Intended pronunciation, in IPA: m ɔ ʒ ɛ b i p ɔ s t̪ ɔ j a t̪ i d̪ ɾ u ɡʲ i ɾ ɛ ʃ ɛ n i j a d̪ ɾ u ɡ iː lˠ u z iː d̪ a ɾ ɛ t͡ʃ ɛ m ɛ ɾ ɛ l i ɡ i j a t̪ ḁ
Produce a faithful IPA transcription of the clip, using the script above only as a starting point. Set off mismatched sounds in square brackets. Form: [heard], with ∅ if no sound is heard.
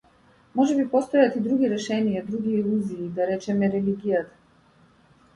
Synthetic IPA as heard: m ɔ ʒ ɛ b i p ɔ s t̪ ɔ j a t̪ i d̪ ɾ u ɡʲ i ɾ ɛ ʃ ɛ n i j a d̪ ɾ u ɡ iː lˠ u z iː d̪ a ɾ ɛ t͡ʃ ɛ m ɛ ɾ ɛ l i ɡ i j a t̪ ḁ